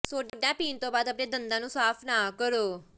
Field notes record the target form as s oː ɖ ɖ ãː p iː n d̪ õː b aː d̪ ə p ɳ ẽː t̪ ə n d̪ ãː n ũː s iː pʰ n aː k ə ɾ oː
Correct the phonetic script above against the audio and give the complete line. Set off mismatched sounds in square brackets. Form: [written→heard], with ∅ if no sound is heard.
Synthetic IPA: s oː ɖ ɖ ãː p iː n [d̪→t̪] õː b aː d̪ ə p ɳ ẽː [t̪→d̪] ə n d̪ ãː n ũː s [iː→aː] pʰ n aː k ə ɾ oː